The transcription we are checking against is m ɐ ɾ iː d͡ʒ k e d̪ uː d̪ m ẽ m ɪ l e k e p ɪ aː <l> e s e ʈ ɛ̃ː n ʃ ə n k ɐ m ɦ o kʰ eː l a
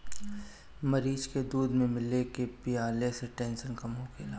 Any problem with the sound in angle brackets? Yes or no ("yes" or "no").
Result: no